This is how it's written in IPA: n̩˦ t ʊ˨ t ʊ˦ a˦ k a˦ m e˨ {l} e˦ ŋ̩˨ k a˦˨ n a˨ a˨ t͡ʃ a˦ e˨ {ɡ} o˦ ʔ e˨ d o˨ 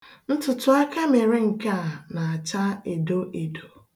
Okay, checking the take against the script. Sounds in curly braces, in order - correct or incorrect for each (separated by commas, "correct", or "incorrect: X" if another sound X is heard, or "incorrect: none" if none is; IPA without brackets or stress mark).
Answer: incorrect: ɾ, incorrect: d